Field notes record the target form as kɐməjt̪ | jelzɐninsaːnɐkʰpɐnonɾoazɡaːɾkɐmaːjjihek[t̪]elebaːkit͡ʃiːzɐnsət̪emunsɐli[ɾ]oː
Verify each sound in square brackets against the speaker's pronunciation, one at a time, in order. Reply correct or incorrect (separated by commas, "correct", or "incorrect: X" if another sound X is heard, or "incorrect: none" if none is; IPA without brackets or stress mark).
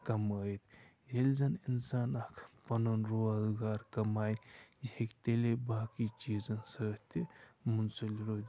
correct, correct